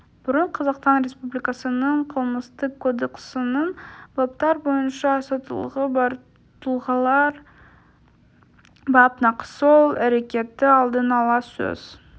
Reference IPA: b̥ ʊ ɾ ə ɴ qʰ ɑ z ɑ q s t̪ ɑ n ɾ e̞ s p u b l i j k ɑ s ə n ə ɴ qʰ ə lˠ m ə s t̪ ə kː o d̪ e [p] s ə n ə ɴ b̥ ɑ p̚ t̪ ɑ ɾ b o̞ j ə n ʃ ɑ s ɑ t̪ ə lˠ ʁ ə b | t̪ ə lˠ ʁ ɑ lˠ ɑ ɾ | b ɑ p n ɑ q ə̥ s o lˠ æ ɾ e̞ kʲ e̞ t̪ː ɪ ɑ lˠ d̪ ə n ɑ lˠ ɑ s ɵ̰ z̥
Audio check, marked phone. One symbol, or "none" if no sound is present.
k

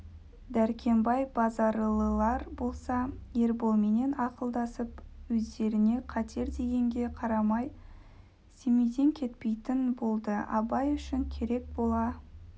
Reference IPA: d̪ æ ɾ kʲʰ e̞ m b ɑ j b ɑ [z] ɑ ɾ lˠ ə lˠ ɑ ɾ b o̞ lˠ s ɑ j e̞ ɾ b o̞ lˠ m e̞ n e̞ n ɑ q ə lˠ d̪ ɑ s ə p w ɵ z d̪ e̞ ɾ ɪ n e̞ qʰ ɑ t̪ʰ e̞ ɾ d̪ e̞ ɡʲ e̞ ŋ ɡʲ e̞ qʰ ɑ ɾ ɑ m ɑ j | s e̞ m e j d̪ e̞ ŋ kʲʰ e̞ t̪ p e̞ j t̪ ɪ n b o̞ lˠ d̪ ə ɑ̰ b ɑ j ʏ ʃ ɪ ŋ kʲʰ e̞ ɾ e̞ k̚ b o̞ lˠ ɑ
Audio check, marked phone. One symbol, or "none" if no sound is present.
z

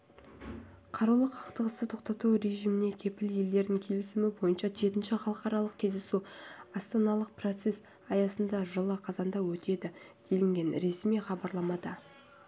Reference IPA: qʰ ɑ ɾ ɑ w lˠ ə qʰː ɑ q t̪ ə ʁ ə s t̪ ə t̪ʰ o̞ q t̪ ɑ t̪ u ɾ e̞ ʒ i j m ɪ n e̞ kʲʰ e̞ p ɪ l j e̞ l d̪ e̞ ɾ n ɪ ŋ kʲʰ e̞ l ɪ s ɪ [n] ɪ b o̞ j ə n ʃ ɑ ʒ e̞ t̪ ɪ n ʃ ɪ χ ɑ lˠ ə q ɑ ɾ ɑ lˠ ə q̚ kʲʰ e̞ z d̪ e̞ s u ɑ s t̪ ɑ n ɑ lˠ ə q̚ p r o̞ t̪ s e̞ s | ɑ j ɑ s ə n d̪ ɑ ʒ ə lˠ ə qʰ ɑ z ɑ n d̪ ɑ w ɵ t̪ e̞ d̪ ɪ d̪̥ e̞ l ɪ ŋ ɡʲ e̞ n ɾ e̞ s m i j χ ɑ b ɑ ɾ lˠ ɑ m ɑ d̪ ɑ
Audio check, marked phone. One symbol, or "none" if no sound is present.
m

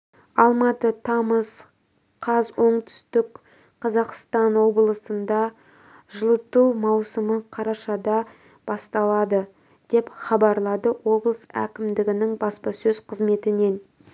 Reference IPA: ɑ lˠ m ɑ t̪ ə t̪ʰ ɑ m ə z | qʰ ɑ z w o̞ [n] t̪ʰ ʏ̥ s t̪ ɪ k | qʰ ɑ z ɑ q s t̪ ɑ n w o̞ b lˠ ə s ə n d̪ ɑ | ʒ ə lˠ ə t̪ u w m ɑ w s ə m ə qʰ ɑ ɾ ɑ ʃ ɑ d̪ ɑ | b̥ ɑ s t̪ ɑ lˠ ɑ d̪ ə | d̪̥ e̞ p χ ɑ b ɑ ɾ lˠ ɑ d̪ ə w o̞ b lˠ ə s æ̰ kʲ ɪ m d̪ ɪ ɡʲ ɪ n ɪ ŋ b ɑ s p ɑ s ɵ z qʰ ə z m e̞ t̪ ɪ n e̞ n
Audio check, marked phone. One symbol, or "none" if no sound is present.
ɴ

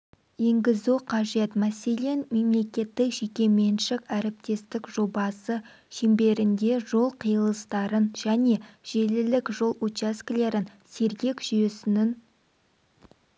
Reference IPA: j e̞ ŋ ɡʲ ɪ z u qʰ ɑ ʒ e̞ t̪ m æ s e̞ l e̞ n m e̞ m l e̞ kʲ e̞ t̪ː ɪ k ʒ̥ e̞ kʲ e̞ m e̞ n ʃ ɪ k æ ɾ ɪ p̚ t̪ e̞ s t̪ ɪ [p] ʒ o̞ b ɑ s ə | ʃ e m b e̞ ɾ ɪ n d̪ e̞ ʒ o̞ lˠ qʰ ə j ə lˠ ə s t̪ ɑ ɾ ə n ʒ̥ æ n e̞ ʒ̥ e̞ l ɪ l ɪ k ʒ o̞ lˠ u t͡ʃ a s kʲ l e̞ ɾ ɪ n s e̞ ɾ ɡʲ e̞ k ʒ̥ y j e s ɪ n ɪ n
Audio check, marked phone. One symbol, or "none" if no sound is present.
k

